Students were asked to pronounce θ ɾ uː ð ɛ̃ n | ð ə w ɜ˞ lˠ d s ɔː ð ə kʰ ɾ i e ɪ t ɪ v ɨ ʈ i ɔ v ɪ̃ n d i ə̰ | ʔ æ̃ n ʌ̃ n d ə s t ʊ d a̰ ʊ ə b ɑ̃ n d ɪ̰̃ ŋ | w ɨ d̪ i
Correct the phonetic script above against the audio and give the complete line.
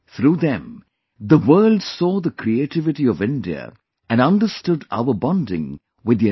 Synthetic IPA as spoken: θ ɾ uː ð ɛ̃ m | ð ə w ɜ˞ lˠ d s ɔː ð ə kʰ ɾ i e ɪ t ɪ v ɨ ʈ i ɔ v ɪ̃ n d i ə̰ | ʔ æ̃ n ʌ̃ n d ə s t ʊ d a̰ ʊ ə b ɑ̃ n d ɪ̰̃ ŋ | w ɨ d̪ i

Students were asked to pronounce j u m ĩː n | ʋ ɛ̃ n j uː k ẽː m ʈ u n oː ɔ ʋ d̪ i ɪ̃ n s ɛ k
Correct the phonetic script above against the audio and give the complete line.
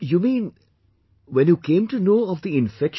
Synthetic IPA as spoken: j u m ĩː n | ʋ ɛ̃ n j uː k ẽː m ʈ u n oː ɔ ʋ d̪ i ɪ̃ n f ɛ k

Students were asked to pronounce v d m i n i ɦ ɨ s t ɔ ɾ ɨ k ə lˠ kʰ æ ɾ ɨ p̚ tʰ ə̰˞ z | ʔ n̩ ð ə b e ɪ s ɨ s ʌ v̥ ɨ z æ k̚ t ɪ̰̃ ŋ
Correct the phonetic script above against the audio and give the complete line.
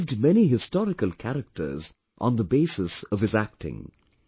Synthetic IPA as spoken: v d m ɛ n i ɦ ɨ s t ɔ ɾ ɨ k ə lˠ kʰ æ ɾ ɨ k̚ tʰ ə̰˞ z | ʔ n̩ ð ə b e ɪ s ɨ s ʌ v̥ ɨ z æ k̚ t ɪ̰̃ ŋ

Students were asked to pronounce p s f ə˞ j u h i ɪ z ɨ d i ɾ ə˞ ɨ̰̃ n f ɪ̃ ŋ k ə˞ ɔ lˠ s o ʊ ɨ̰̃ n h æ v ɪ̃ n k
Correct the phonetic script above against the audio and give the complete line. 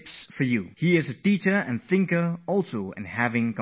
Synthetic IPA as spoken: p s f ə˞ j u h i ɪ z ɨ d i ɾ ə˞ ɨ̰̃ n θ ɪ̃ ŋ k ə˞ ɔ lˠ s o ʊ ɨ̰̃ n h æ v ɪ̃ ŋ k

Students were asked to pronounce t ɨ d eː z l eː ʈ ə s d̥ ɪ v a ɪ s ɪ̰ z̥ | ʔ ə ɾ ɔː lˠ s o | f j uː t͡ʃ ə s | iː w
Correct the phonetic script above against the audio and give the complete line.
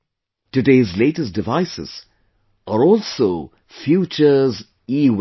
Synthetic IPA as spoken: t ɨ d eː z l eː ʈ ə s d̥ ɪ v a ɪ s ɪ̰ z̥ | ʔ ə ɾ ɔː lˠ s o | f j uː t͡ʃ ə z | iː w

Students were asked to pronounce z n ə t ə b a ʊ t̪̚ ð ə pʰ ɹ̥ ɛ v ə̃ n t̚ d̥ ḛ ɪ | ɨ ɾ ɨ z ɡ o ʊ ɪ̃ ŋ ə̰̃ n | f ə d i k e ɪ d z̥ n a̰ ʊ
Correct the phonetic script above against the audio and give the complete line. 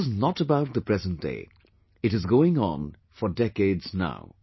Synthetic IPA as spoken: z n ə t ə b a ʊ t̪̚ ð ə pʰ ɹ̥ ɛ z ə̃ n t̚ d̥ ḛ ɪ | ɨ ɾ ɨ z ɡ o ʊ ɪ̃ ŋ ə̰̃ n | f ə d ɛ k e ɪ d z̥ n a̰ ʊ

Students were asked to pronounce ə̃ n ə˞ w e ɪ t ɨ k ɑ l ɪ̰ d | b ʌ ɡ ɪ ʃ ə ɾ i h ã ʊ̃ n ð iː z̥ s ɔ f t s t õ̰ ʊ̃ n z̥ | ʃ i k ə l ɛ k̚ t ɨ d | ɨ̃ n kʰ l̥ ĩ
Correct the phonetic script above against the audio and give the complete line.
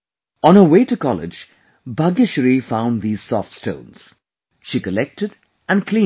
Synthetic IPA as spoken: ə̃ n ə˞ w e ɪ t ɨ k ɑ l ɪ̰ d͡ʒ | b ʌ ɡ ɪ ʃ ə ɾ i f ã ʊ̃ n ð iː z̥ s ɔ f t s t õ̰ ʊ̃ n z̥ | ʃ i k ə l ɛ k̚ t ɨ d | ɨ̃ n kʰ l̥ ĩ

